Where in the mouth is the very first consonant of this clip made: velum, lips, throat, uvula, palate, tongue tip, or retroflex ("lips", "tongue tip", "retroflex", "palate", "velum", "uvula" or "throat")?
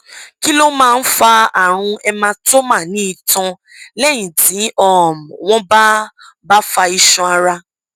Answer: velum